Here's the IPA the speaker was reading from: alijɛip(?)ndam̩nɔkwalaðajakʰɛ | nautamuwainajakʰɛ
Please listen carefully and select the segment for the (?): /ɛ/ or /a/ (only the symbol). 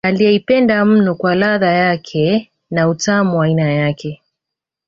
ɛ